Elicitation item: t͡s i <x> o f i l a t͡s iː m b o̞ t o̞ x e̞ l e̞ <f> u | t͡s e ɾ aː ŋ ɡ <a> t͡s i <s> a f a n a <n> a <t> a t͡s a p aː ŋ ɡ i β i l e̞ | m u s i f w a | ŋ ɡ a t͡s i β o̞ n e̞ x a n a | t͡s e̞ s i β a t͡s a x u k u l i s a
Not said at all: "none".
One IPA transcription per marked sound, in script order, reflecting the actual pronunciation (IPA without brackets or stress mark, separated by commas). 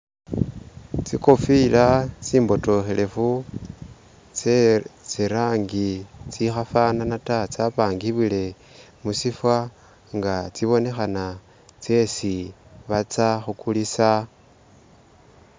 k, f, i, x, n, t